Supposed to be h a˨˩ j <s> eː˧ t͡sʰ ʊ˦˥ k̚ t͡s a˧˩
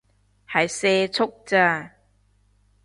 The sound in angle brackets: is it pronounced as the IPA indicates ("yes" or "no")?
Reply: yes